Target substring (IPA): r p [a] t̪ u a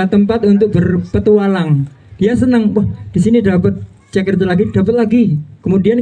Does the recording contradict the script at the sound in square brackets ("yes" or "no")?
yes